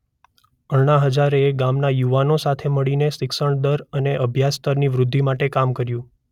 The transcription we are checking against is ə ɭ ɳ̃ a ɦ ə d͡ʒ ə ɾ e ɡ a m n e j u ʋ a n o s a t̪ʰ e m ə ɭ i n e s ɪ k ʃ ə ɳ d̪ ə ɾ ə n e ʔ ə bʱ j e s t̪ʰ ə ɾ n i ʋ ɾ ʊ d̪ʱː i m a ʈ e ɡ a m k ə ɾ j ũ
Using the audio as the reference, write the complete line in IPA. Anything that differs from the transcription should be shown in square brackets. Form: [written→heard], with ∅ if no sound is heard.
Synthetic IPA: ə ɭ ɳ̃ a ɦ ə d͡ʒ [ə→a] ɾ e ɡ a m n [e→a] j u ʋ a n o s a t̪ʰ e m ə ɭ i n e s ɪ k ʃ ə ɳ d̪ ə ɾ ə n e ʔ ə bʱ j [e→a] s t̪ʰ ə ɾ n i ʋ ɾ ʊ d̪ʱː i m a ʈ e [ɡ→k] a m k ə ɾ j ũ